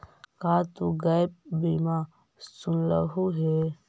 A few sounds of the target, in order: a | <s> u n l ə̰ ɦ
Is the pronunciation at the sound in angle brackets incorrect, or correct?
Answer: correct